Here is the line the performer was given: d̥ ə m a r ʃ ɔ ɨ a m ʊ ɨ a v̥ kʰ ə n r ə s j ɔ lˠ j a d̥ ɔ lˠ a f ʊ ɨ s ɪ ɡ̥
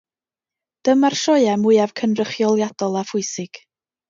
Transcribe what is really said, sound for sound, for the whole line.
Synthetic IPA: d̥ ə m a r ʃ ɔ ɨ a m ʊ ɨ a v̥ kʰ ə n r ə χ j ɔ lˠ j a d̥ ɔ lˠ a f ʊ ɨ s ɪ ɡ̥